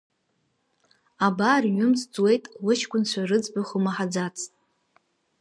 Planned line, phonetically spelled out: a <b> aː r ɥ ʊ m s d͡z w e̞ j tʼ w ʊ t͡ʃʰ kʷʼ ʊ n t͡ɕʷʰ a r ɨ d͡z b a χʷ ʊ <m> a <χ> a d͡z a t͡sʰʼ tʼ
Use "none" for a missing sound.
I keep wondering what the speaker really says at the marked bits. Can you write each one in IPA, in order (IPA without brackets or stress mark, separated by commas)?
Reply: b, m, ħ